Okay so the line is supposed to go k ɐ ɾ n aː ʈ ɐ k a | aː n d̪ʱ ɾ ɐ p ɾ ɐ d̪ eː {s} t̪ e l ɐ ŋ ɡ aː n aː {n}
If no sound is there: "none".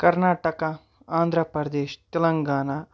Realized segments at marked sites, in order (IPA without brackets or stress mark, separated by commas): ʃ, none